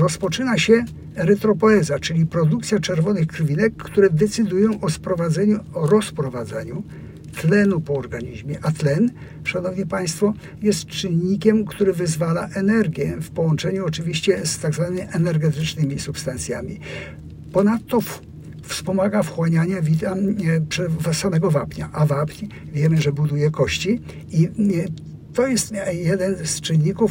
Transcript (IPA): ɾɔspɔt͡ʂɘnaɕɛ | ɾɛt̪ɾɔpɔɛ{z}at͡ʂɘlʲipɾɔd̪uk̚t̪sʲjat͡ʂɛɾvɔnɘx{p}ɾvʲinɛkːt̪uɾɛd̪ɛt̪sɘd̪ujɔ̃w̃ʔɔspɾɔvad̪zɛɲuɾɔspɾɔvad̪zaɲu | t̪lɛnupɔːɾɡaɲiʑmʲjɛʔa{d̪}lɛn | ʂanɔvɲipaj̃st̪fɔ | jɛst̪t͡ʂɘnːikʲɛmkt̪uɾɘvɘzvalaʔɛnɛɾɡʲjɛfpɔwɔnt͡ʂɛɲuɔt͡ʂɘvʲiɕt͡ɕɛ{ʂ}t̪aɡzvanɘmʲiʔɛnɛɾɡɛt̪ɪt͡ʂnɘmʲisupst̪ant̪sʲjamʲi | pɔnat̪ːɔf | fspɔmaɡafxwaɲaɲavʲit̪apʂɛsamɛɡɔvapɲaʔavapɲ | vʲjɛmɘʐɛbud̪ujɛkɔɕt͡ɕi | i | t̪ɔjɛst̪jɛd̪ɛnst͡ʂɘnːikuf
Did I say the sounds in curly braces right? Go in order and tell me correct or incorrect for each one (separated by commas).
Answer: correct, incorrect, incorrect, incorrect